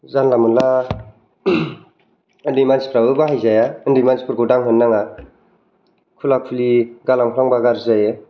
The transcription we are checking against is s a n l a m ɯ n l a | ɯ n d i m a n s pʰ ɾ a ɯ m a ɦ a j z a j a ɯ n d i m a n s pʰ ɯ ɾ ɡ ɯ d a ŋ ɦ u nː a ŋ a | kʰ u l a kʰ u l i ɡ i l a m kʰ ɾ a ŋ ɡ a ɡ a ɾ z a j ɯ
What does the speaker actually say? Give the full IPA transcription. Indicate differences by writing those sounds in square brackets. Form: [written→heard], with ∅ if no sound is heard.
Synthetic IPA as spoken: [s→z] a n l a m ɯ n l a | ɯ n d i m a n s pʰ ɾ a ɯ [m→b] a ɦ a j z a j a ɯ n d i m a n s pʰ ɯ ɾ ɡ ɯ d a ŋ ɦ [u→ɯ] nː a ŋ a | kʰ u l a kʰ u l i ɡ [i→a] l a m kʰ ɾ a ŋ [ɡ→b] a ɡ a ɾ z a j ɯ